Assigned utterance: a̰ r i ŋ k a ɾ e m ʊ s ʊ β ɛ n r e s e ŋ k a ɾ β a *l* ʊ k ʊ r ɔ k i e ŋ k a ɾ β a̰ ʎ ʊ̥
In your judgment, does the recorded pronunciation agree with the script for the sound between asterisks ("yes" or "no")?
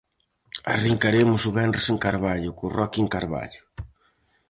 no